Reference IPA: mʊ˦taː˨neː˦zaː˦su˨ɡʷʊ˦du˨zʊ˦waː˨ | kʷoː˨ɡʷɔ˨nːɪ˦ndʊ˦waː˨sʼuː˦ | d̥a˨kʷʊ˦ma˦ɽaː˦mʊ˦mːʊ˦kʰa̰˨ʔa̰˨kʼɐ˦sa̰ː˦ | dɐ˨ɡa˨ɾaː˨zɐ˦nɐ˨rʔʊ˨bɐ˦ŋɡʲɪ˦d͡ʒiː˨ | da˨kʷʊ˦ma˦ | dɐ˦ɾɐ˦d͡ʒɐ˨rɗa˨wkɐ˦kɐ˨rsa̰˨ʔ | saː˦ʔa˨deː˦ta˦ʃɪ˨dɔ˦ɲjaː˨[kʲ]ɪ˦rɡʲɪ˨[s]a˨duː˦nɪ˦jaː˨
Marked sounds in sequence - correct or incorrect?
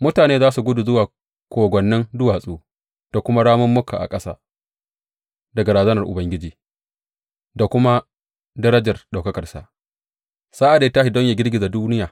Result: incorrect, incorrect

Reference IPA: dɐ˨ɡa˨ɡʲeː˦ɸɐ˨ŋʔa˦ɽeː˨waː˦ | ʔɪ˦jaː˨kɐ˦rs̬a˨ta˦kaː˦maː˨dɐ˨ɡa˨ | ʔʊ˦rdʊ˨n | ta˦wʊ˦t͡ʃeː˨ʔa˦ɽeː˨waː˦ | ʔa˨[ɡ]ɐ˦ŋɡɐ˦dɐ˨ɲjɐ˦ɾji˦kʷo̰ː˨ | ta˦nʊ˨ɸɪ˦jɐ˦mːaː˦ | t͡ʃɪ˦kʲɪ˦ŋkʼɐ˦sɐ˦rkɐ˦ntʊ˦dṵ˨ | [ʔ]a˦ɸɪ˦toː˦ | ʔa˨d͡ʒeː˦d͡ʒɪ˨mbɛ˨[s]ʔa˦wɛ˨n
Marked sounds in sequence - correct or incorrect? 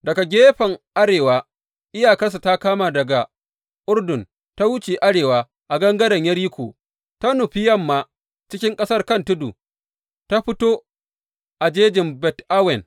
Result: correct, incorrect, incorrect

